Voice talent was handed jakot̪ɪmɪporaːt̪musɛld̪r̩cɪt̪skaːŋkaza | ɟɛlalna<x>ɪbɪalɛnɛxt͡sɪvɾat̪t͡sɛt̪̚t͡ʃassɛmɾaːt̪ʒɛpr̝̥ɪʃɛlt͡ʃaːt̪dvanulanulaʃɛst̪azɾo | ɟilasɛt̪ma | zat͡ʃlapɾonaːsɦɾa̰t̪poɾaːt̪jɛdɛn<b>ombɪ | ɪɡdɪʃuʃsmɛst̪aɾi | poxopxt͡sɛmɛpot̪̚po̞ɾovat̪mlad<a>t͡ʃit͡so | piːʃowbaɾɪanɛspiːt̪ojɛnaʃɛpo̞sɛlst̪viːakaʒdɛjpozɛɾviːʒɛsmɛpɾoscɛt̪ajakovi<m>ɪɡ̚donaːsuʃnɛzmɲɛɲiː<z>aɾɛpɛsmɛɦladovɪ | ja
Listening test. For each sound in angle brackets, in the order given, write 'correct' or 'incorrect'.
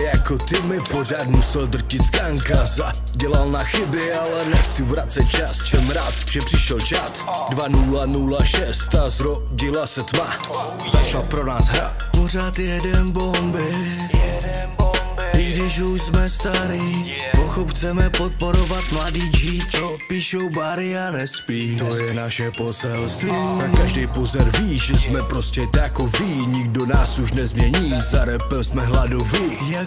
correct, correct, incorrect: i, incorrect: ɲ, correct

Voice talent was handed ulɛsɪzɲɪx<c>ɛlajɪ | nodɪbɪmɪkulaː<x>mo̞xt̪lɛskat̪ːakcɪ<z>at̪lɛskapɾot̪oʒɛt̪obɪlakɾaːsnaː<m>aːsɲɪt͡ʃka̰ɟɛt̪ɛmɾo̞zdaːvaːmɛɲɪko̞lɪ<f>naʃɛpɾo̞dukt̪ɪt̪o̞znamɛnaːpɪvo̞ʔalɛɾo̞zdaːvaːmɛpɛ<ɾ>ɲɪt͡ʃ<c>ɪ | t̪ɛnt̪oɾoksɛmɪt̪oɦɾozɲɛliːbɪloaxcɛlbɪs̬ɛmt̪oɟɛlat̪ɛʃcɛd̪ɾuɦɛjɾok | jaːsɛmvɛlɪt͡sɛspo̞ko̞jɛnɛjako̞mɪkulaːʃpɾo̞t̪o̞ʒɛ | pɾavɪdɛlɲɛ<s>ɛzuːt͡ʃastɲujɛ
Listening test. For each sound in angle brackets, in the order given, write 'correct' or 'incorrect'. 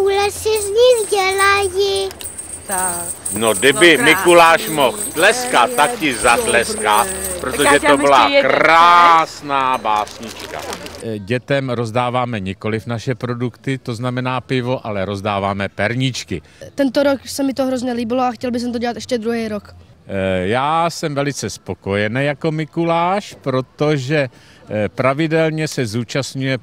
incorrect: ɟ, incorrect: ʃ, correct, incorrect: b, correct, correct, incorrect: k, correct

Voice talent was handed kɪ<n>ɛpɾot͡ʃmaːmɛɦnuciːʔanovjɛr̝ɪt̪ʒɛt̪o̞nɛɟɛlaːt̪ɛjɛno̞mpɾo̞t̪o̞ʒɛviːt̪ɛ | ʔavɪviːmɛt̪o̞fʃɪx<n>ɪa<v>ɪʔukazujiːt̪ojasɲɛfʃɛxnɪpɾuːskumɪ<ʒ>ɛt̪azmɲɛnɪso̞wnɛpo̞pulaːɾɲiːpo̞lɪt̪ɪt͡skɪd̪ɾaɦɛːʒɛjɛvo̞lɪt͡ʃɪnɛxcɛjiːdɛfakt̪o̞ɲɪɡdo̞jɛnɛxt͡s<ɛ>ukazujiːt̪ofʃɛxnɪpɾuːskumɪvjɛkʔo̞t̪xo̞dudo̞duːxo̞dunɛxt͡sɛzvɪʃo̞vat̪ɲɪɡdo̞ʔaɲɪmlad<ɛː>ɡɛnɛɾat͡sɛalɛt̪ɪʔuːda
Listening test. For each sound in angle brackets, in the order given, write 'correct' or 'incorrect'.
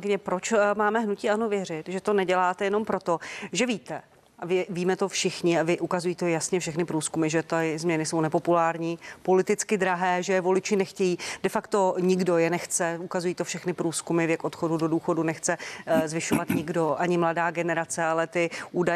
incorrect: ɲ, incorrect: ɲ, correct, correct, correct, incorrect: aː

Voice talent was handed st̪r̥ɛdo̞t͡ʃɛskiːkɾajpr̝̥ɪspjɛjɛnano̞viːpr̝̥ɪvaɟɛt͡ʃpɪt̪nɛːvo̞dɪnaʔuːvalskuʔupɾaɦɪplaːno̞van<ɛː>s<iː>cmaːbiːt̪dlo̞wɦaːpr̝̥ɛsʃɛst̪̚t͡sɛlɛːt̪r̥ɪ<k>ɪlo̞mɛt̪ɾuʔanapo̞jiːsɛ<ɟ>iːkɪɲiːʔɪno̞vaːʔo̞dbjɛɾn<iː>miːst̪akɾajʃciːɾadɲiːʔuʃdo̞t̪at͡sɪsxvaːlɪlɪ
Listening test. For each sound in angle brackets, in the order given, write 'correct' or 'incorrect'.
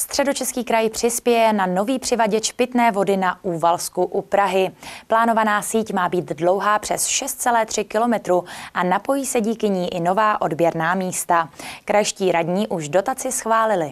incorrect: aː, correct, correct, correct, incorrect: aː

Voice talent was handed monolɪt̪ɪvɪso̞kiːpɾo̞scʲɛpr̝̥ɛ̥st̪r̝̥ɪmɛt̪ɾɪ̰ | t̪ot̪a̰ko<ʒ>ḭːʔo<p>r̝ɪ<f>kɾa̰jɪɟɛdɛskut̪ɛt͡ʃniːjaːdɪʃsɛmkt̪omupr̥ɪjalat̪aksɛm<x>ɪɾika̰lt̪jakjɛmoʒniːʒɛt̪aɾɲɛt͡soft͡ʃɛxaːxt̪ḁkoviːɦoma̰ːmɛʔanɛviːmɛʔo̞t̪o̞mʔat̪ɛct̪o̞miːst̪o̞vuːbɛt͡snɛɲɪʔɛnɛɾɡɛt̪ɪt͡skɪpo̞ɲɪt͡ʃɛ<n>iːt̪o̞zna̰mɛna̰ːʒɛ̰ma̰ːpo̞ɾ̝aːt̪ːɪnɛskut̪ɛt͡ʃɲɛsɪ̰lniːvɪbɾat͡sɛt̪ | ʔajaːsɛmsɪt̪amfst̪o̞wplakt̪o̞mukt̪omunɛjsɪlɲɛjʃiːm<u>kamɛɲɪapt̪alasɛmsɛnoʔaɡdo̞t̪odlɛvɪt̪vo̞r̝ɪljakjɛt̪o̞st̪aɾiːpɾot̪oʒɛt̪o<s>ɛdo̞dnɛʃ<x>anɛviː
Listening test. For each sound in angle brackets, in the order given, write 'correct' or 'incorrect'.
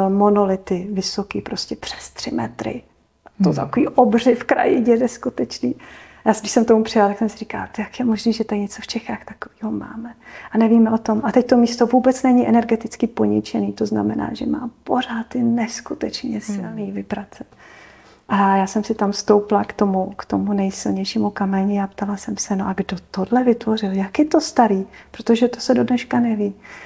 incorrect: v, incorrect: b, correct, incorrect: s, correct, correct, correct, incorrect: k

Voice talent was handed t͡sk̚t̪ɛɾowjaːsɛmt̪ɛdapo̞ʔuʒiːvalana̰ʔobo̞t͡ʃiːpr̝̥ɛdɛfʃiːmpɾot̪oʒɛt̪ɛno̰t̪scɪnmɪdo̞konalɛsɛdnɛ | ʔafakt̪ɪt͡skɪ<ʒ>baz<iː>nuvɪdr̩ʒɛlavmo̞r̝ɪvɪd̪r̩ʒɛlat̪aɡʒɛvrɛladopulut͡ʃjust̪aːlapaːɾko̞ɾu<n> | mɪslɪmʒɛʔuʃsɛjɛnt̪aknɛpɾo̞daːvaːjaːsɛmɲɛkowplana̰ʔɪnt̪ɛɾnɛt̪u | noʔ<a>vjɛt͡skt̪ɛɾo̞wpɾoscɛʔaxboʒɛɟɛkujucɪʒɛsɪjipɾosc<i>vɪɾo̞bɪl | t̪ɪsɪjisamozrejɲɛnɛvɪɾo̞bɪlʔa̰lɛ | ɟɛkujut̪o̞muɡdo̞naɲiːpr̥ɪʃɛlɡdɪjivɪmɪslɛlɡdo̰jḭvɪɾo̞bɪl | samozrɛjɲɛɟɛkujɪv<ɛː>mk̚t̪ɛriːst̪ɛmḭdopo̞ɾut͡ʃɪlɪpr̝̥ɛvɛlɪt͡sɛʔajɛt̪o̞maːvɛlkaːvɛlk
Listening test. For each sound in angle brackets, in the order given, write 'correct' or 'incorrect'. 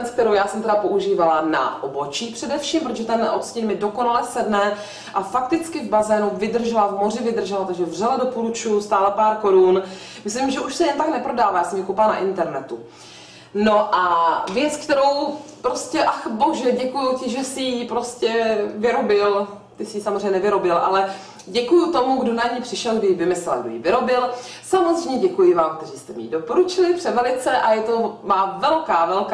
incorrect: v, incorrect: ɛː, correct, correct, incorrect: ɛ, incorrect: aː

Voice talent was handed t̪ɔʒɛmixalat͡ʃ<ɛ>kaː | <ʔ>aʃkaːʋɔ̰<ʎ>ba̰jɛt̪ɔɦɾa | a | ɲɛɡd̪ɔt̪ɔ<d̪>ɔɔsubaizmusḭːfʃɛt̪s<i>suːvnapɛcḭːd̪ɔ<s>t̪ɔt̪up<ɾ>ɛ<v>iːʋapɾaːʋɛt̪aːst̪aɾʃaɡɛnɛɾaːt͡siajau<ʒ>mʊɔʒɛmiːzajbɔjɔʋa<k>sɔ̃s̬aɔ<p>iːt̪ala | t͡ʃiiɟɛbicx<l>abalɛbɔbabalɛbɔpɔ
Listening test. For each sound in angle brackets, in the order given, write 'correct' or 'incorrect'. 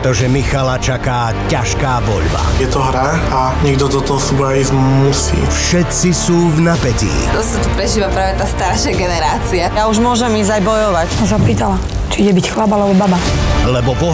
incorrect: a, incorrect: c, correct, incorrect: t̪, correct, correct, correct, incorrect: ʒ, correct, incorrect: c, correct, correct

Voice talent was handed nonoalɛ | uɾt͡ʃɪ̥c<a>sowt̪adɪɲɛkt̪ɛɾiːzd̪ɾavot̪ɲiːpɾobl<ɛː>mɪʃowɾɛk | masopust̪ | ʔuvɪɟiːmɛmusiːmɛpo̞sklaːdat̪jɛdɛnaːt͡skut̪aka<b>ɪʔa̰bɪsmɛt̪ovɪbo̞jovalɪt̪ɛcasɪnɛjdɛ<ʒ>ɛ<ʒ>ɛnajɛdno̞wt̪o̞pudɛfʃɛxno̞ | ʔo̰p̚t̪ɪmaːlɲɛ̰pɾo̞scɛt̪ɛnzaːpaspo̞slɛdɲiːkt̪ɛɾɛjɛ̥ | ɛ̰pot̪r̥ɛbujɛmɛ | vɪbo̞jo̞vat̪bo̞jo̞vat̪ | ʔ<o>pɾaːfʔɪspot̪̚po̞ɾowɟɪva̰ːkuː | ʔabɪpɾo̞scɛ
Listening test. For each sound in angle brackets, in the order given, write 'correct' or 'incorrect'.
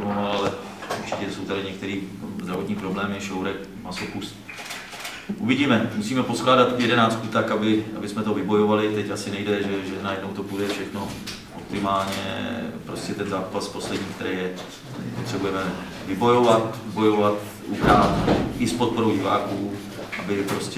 incorrect: ɛ, correct, correct, correct, correct, incorrect: u

